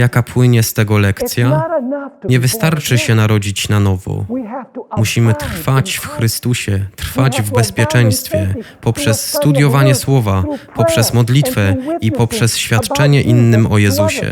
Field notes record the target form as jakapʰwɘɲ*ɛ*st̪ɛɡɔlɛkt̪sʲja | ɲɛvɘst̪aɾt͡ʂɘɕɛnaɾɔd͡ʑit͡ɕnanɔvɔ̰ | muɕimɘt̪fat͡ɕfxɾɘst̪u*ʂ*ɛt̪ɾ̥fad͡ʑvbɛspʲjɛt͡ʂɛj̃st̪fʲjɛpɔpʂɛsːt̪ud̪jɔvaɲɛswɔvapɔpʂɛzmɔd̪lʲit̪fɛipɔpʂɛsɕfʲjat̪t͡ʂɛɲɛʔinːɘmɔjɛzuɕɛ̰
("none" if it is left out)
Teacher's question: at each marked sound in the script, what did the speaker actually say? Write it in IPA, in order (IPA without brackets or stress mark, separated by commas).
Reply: ɛ, ɕ